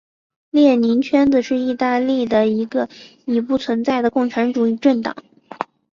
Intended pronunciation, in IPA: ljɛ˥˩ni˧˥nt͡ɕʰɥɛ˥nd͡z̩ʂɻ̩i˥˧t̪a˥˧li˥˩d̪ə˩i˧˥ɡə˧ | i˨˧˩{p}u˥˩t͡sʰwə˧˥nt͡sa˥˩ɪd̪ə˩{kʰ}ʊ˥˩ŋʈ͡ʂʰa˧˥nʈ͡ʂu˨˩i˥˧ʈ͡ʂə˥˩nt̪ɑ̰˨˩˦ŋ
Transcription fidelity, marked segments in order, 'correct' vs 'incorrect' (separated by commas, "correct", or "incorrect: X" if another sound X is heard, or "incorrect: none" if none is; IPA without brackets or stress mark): correct, incorrect: k